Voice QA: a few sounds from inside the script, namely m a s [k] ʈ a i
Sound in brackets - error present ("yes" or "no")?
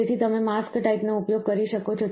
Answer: no